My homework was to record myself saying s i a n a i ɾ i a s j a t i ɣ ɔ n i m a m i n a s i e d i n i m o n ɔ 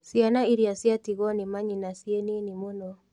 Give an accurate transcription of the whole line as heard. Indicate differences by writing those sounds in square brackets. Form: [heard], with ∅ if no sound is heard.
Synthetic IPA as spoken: s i a n a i ɾ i a s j a t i ɣ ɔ n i m a [ɲ] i n a s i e [n] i n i m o n ɔ